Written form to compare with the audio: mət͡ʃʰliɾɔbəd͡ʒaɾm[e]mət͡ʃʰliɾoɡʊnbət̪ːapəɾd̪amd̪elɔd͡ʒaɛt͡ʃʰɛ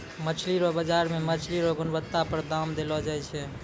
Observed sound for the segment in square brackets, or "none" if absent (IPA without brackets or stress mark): e